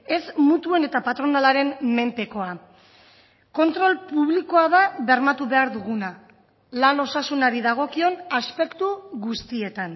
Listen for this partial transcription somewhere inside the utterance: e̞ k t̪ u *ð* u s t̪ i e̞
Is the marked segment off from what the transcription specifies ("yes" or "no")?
yes